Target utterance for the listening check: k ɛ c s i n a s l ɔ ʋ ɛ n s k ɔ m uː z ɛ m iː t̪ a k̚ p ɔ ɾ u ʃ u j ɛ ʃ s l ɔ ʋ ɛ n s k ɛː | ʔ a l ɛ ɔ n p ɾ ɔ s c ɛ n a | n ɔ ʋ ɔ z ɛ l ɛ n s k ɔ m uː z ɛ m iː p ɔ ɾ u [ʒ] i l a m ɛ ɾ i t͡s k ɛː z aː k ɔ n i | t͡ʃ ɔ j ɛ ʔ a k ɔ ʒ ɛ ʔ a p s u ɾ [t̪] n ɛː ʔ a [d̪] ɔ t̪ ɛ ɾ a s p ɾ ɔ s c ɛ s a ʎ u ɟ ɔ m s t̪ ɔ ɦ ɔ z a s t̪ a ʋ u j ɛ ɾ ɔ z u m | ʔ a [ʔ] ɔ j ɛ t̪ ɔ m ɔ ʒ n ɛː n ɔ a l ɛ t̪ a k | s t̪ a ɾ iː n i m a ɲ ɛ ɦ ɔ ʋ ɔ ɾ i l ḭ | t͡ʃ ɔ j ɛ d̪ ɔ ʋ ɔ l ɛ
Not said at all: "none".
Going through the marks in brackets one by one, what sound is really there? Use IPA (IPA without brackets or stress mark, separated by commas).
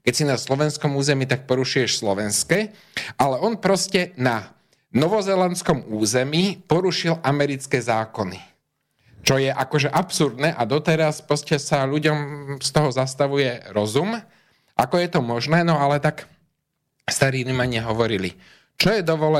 ʃ, d̪, d̪, k